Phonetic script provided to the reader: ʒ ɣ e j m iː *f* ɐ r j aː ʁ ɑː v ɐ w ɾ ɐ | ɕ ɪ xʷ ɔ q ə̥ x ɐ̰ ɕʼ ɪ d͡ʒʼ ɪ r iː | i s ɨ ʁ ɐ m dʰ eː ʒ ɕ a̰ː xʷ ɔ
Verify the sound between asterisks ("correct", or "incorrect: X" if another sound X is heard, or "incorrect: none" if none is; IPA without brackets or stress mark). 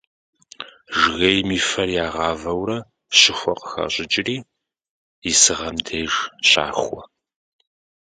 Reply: correct